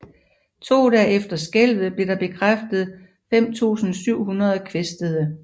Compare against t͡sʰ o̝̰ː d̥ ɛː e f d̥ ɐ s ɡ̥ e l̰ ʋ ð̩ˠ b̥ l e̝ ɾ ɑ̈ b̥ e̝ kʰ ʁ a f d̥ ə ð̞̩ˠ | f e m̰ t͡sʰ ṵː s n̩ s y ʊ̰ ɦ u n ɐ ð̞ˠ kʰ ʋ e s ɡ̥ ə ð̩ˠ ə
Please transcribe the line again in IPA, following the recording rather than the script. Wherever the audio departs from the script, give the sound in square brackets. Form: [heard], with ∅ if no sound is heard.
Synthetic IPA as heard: t͡sʰ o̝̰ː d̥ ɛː e f d̥ ɐ s ɡ̥ e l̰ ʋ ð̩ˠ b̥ l e̝ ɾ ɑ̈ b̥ e̝ kʰ ʁ a f d̥ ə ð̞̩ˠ | f e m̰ t͡sʰ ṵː s n̩ s y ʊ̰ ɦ u n ɐ ð̞ˠ kʰ ʋ e s [d̥] ə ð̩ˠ ə

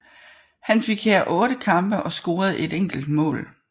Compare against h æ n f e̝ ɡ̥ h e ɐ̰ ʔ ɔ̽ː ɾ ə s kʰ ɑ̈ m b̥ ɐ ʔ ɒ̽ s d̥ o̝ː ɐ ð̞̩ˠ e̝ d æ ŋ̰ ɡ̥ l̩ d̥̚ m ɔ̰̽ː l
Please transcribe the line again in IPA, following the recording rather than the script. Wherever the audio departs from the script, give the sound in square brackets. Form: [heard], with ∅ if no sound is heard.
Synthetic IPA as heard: h æ n f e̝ ɡ̥ h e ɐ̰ ʔ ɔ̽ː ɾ ə [∅] kʰ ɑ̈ m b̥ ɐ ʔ ɒ̽ s [ɡ̥] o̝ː ɐ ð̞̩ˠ e̝ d [e] ŋ̰ ɡ̥ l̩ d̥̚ m ɔ̰̽ː l

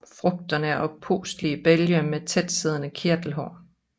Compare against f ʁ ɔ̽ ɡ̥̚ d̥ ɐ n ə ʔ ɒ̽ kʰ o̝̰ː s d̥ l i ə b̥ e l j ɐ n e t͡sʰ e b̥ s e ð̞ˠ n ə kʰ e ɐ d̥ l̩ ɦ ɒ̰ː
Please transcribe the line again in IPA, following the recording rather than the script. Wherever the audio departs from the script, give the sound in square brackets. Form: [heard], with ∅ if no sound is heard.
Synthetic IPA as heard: f ʁ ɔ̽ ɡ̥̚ d̥ ɐ n ə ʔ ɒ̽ [pʰ] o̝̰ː s d̥ l i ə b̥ e l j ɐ [m] e t͡sʰ e [d̥] s e ð̞ˠ n ə kʰ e ɐ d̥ l̩ ɦ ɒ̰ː

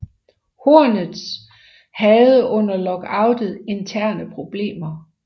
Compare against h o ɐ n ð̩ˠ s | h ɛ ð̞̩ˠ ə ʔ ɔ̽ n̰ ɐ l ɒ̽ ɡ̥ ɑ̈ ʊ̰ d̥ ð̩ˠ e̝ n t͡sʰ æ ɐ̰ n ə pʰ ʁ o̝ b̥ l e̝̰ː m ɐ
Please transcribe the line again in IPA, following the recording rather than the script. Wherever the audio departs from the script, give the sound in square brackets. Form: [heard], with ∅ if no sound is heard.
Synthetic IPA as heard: h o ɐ n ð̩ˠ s | h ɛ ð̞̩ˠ ə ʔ ɔ̽ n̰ ɐ l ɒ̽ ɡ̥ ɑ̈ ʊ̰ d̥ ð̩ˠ e̝ n t͡sʰ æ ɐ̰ n ə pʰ ʁ o̝ b̥ l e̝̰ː m ɐ

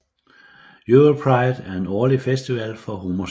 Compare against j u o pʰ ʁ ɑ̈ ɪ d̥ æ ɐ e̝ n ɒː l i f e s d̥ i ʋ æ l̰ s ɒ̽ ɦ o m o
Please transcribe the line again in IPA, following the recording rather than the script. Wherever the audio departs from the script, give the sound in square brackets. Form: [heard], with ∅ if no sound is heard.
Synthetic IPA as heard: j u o pʰ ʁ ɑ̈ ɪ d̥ æ ɐ e̝ n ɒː l i f e s d̥ i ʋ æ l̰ [f] ɒ̽ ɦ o m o

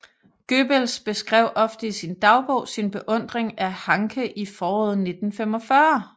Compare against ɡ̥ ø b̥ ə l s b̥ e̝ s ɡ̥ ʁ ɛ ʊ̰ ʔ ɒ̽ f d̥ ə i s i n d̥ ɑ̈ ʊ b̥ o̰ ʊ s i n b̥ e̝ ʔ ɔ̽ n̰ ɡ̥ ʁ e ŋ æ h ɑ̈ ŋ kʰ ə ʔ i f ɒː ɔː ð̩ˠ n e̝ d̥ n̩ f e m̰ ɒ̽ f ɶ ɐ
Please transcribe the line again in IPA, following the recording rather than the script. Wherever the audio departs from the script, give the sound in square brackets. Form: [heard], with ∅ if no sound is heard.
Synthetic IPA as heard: ɡ̥ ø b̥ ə l s b̥ e̝ s ɡ̥ ʁ ɛ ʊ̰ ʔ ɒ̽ f d̥ ə i s i n d̥ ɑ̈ ʊ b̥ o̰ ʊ s i n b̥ e̝ ʔ ɔ̽ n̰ [d̥] ʁ e ŋ æ h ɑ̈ ŋ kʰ ə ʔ i f ɒː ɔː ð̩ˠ n e̝ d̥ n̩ f e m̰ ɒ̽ f ɶ ɐ

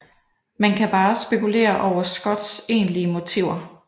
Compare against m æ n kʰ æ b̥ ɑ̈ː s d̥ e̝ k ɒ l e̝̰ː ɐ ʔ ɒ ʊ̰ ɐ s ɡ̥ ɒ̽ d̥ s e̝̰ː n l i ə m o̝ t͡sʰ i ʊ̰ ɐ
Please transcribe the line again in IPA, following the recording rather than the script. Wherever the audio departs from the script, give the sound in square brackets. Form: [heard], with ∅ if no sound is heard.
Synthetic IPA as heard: m æ n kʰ æ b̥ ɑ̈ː s [b̥] e̝ k [u] l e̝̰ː ɐ ʔ ɒ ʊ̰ ɐ s ɡ̥ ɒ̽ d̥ s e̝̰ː n l i ə m o̝ t͡sʰ i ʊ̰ ɐ

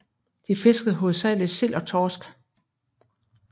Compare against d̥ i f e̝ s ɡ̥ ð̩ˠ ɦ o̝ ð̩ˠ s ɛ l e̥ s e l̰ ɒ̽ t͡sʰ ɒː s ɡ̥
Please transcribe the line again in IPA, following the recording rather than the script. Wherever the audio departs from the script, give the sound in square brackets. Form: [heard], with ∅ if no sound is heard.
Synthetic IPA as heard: d̥ i f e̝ s ɡ̥ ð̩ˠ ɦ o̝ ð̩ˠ s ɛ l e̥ s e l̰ ɒ̽ t͡sʰ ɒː s ɡ̥

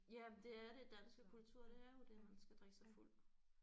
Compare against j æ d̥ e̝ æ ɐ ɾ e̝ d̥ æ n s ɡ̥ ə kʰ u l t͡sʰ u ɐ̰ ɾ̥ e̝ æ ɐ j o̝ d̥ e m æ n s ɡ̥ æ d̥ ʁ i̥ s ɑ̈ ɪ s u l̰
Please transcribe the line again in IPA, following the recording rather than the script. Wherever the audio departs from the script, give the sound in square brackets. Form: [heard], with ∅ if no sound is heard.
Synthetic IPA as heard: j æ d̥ e̝ æ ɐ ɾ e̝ d̥ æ n s ɡ̥ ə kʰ u l t͡sʰ u ɐ̰ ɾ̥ e̝ æ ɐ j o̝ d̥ e m æ n s ɡ̥ æ d̥ ʁ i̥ s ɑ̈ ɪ [f] u l̰

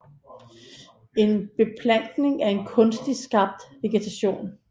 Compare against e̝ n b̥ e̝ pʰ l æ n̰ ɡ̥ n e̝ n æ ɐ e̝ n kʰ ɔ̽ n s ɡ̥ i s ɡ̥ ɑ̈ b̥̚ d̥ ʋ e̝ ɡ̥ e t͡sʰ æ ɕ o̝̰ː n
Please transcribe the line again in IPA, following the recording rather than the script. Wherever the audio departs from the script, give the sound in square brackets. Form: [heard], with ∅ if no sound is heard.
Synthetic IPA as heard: e̝ n b̥ e̝ pʰ l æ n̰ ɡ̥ n e̝ [ŋ] æ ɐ e̝ n kʰ ɔ̽ n s [d̥] i s ɡ̥ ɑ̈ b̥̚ d̥ ʋ e̝ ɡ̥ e t͡sʰ æ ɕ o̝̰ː n

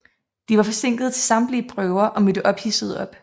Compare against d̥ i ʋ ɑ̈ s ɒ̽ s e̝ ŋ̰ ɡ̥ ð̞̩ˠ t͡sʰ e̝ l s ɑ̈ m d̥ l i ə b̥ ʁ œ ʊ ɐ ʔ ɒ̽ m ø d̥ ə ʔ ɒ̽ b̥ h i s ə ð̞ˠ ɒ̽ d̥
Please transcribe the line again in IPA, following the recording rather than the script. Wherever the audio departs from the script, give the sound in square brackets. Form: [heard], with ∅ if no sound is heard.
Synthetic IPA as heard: d̥ i ʋ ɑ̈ [f] ɒ̽ s e̝ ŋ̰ ɡ̥ ð̞̩ˠ t͡sʰ e̝ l s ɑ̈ m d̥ l i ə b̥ ʁ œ ʊ ɐ ʔ ɒ̽ m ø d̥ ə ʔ ɒ̽ b̥ h i s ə ð̞ˠ ɒ̽ [b̥]

